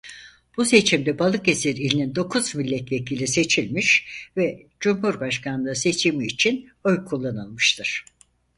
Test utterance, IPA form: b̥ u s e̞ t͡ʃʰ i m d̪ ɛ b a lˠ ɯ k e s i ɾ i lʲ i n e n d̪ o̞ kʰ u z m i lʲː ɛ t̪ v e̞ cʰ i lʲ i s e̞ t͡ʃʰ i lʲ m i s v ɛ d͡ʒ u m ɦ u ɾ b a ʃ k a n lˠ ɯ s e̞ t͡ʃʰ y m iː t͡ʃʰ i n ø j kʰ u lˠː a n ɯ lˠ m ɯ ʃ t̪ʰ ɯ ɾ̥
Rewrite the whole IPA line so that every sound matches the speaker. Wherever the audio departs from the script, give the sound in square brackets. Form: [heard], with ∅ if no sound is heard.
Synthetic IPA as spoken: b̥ u s e̞ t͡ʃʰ i m d̪ ɛ b a lˠ ɯ k e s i ɾ i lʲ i n [i] n d̪ o̞ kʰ u z m i lʲː ɛ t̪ v e̞ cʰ i lʲ i s e̞ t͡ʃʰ i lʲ m i [ʃ] v ɛ d͡ʒ u m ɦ u ɾ b a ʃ k a n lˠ ɯ s e̞ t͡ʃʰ [i] m iː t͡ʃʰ i n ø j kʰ u lˠː a n ɯ lˠ m ɯ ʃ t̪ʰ ɯ ɾ̥

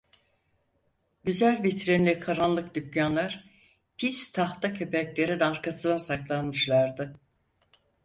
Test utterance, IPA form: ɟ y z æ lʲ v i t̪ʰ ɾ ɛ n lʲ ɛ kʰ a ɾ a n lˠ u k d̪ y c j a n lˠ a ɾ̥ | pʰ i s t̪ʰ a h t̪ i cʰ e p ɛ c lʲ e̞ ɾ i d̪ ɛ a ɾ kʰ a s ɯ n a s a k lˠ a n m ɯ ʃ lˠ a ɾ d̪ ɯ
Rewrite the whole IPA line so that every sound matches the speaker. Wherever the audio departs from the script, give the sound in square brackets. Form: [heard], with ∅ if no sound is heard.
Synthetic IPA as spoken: ɟ y z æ lʲ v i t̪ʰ ɾ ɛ n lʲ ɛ kʰ a ɾ a n lˠ [ɯ] k d̪ y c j a n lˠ a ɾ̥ | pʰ i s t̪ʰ a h t̪ [a] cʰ e p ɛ c lʲ e̞ ɾ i d̪ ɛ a ɾ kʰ a s ɯ n a s a k lˠ a n m ɯ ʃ lˠ a ɾ d̪ ɯ

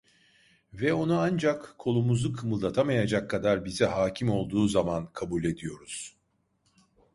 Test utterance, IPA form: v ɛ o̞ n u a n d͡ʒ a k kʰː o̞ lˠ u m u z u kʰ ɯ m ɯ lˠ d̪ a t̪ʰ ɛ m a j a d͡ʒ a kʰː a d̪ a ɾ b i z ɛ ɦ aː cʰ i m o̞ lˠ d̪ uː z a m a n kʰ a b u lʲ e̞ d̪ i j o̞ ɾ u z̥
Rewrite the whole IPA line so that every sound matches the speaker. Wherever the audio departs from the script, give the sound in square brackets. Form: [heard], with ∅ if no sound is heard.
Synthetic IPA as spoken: v ɛ o̞ n u a n d͡ʒ a k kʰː o̞ lˠ u m u z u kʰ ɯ m ɯ lˠ d̪ a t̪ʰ [a] m a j a d͡ʒ a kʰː a d̪ a ɾ b i z ɛ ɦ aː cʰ i m o̞ lˠ d̪ uː z a m a n kʰ a b u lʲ e̞ d̪ i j o̞ ɾ u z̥

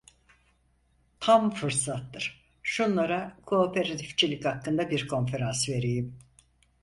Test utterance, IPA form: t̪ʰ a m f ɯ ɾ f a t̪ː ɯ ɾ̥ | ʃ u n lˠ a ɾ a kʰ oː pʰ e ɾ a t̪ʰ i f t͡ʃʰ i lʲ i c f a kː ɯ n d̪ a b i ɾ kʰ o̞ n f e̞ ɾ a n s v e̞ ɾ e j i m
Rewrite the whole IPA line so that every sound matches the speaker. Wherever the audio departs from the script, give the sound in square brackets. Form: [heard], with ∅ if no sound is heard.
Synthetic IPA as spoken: t̪ʰ a m f ɯ ɾ [s] a t̪ː ɯ ɾ̥ | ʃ u n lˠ a ɾ a kʰ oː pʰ e ɾ a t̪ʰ i f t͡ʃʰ i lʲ i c [h] a kː ɯ n d̪ a b i ɾ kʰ o̞ n f e̞ ɾ a n s v e̞ ɾ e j i m

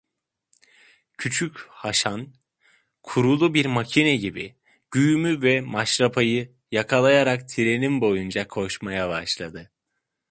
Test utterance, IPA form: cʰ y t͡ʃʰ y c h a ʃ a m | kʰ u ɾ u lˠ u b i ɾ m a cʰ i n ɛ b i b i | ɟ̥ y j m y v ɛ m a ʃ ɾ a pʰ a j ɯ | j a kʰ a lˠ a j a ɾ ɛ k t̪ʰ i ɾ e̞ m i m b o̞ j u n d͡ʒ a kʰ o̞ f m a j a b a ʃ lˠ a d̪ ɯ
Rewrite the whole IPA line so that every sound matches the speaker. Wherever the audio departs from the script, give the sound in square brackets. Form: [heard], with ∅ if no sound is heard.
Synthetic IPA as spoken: cʰ y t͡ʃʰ y c h a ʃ a [n] | kʰ u ɾ u lˠ u b i ɾ m a cʰ i n ɛ [ɟ] i b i | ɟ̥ y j m y v ɛ m a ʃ ɾ a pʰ a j ɯ | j a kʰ a lˠ a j a ɾ [a] k t̪ʰ i ɾ e̞ [n] i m b o̞ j u n d͡ʒ a kʰ o̞ [ʃ] m a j a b a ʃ lˠ a d̪ ɯ

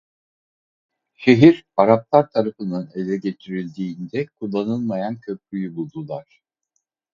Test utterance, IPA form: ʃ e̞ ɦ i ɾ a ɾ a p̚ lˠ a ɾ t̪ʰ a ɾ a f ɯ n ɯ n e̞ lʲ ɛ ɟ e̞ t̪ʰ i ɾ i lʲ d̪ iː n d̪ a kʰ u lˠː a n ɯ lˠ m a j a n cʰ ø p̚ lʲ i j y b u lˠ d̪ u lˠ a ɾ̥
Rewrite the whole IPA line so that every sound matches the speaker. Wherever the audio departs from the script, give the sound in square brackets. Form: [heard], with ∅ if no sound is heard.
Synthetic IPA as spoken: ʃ e̞ ɦ i ɾ a ɾ a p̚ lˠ a ɾ t̪ʰ a ɾ a f ɯ n ɯ n e̞ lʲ ɛ ɟ e̞ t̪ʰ i ɾ i lʲ d̪ iː n d̪ [ɛ] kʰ u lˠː a n ɯ lˠ m a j a n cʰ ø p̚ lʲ [y] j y b u lˠ d̪ u lˠ a ɾ̥

